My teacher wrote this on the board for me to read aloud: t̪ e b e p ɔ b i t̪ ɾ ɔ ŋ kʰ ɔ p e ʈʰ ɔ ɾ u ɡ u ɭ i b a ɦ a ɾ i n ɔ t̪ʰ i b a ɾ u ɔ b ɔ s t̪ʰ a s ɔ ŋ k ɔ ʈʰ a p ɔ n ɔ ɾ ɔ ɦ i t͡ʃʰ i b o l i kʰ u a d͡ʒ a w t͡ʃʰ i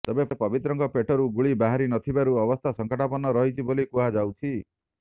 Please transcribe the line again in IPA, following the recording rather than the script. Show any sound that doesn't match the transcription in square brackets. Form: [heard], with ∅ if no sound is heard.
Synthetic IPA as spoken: t̪ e b e p ɔ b i t̪ ɾ ɔ ŋ [k] ɔ p e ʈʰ ɔ ɾ u ɡ u ɭ i b a ɦ a ɾ i n ɔ t̪ʰ i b a ɾ u ɔ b ɔ s t̪ʰ a s ɔ ŋ k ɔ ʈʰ a p ɔ n ɔ ɾ ɔ ɦ i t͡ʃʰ i b o l i [k] u a d͡ʒ a w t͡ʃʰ i